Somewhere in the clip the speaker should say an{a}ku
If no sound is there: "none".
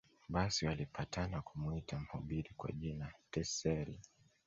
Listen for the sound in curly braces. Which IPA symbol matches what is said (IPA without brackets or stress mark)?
a